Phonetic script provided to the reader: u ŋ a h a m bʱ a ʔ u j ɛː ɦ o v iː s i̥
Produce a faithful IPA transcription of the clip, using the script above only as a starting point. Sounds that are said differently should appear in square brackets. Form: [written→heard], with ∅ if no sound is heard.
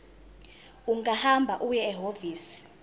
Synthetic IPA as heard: u ŋ a h a m bʱ a ʔ u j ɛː ɦ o v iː s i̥